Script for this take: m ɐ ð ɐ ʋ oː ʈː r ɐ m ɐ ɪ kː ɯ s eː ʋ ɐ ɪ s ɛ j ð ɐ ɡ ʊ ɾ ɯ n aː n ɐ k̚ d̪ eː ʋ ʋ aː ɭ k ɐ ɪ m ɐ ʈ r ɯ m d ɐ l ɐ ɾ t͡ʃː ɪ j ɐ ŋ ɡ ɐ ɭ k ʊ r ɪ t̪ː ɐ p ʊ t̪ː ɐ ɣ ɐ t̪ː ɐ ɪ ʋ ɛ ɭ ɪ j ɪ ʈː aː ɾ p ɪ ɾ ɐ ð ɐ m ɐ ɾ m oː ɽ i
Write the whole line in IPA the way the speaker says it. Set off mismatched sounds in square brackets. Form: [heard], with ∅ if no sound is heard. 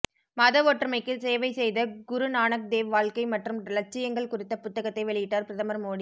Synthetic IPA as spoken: m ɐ ð ɐ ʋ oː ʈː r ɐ m ɐ ɪ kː ɯ s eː ʋ ɐ ɪ s ɛ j ð ɐ ɡ ʊ ɾ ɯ n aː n ɐ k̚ d̪ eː ʋ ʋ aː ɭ k ɐ ɪ m ɐ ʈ r ɯ m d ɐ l ɐ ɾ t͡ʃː ɪ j ɐ ŋ ɡ ɐ ɭ k ʊ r ɪ t̪ː ɐ p ʊ t̪ː ɐ ɣ ɐ t̪ː ɐ ɪ ʋ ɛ ɭ ɪ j ɪ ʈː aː ɾ p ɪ ɾ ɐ ð ɐ m ɐ ɾ m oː ɽ i